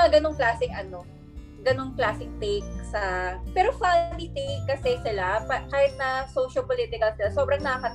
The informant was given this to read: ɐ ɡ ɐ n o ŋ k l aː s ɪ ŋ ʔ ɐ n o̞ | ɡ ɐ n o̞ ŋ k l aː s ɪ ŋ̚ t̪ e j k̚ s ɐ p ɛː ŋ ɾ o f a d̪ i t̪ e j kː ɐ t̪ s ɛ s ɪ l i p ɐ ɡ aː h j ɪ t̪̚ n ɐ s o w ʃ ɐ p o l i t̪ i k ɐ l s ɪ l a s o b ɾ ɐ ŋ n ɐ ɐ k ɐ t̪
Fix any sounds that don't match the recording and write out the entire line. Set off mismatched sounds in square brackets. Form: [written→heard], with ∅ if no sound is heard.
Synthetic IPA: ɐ ɡ ɐ n o ŋ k l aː s ɪ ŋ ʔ ɐ n o̞ | ɡ ɐ n o̞ ŋ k l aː s ɪ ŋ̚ t̪ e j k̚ s ɐ p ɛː [ŋ→∅] ɾ o f a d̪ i t̪ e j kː ɐ [t̪→∅] s ɛ s ɪ l [i→a] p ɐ [ɡ→k] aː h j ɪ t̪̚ n ɐ s o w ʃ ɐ p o l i t̪ [i→ɪ] k ɐ l s ɪ l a s o b ɾ ɐ ŋ n ɐ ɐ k ɐ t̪